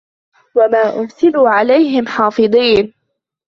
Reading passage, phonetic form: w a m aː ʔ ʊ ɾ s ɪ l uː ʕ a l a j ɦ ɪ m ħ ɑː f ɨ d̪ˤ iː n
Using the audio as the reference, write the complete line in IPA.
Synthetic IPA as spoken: w a m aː ʔ ʊ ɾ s ɪ l uː ʕ a l a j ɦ ɪ m ħ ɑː f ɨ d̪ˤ iː n